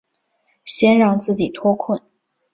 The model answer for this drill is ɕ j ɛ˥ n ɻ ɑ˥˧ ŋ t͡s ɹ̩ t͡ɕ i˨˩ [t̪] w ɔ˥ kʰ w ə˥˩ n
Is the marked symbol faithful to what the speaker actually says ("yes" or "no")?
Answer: no